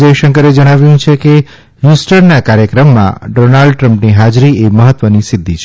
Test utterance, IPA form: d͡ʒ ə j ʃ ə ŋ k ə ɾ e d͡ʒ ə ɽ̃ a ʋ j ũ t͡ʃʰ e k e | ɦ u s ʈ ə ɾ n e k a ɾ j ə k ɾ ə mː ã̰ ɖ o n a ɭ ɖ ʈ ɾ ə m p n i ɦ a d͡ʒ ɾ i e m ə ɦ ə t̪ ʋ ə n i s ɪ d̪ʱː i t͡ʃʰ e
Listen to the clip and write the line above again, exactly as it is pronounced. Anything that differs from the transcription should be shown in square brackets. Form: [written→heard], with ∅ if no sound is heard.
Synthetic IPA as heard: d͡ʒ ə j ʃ ə ŋ k ə ɾ e d͡ʒ ə ɽ̃ a ʋ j ũ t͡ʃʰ e k e | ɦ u s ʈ ə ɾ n [e→a] k a ɾ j ə k ɾ ə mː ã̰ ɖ o n a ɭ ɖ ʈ ɾ ə m p n i ɦ a d͡ʒ ɾ i e m ə ɦ ə t̪ ʋ ə n i s ɪ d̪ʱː i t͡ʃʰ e